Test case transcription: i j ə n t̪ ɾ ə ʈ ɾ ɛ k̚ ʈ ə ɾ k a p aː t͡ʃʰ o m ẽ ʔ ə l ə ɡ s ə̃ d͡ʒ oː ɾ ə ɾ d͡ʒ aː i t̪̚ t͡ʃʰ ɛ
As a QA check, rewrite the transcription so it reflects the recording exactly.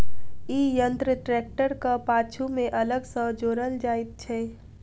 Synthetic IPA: i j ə n t̪ ɾ ə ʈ ɾ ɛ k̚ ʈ ə ɾ k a p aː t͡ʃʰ u m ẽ ʔ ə l ə ɡ s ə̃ d͡ʒ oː ɾ ə l d͡ʒ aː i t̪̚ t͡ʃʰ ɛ